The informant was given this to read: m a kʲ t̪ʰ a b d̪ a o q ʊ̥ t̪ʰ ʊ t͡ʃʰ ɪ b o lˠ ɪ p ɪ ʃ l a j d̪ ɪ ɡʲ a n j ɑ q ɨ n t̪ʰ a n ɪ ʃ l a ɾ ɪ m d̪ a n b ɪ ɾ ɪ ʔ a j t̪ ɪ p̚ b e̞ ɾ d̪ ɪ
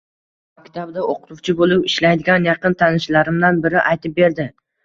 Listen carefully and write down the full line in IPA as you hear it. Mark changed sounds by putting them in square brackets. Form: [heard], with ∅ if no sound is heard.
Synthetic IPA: m a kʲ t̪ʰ a b d̪ a o q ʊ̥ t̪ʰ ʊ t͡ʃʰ ɪ b o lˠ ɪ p ɪ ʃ l a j d̪ ɪ ɡʲ a n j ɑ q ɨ n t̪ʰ a n ɪ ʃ l a ɾ ɪ m d̪ a n b ɪ ɾ ɪ ʔ a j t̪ ɪ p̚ b e̞ ɾ d̪ ɪ